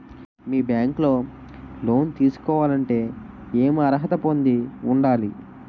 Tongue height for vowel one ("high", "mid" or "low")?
high